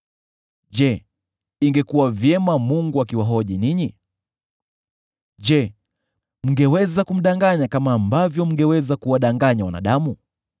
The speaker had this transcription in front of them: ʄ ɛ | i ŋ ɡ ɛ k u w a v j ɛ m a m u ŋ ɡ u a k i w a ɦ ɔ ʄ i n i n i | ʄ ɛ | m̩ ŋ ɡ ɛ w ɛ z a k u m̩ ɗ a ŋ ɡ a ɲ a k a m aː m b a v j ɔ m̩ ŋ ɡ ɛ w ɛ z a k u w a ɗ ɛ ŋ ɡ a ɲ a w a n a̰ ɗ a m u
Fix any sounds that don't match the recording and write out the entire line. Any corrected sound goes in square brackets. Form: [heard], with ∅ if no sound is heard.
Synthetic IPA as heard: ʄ ɛ | i ŋ ɡ ɛ k u w a v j ɛ m a m u ŋ ɡ u a k i w a ɦ ɔ ʄ i n i [ɲ] i | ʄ ɛ | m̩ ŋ ɡ ɛ w ɛ z a k u m̩ ɗ a ŋ ɡ a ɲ a k a m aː m b a v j ɔ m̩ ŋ ɡ ɛ w ɛ z a k u w a ɗ [a] ŋ ɡ a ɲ a w a n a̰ ɗ a m u